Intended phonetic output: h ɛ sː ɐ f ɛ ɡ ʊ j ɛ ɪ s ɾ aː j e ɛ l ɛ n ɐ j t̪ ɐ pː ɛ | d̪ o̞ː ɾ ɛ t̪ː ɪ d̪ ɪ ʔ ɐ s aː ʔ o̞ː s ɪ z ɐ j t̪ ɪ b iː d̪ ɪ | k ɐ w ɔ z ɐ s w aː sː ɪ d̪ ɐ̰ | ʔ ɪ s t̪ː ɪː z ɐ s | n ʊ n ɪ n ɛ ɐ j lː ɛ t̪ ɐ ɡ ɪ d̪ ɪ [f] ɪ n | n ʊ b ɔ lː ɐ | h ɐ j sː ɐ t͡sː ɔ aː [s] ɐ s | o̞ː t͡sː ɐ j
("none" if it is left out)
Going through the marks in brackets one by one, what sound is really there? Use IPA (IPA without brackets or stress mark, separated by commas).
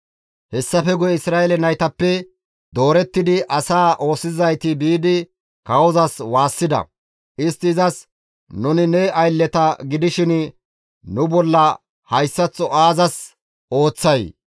ʃ, z